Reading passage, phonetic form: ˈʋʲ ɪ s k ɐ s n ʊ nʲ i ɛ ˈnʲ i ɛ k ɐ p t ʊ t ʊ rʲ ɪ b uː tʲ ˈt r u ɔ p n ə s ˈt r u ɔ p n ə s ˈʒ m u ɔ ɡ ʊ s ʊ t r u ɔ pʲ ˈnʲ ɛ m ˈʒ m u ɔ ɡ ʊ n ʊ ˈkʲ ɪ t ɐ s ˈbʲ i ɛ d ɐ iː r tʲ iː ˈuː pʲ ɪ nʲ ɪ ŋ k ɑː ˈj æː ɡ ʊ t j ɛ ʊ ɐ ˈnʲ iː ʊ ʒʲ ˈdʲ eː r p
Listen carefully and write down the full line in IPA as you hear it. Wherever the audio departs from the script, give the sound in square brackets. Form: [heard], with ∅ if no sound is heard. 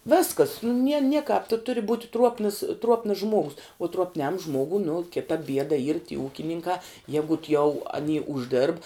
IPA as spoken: ˈʋʲ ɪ s k ɐ s n ʊ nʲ i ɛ ˈnʲ i ɛ k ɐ p t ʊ t ʊ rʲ ɪ b uː tʲ ˈt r u ɔ p n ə s ˈt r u ɔ p n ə s ˈʒ m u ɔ ɡ ʊ s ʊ t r u ɔ pʲ ˈnʲ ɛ m ˈʒ m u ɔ ɡ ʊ n ʊ ˈkʲ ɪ t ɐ [∅] ˈbʲ i ɛ d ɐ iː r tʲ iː ˈuː [kʲ] ɪ nʲ ɪ ŋ k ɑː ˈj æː ɡ ʊ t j ɛ ʊ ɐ ˈnʲ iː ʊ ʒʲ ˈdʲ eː r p